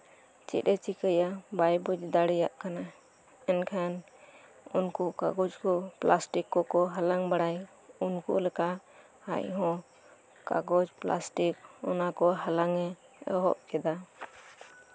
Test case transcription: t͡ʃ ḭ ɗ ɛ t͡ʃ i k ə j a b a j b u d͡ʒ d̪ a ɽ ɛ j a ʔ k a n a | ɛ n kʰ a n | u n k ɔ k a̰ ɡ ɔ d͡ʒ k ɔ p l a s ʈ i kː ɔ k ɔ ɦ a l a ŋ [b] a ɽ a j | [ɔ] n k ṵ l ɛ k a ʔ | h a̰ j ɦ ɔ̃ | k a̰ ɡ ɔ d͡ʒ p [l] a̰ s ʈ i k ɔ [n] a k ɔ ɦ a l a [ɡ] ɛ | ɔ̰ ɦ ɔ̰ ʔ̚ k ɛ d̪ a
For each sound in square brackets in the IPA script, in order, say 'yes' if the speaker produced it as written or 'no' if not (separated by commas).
yes, no, yes, yes, no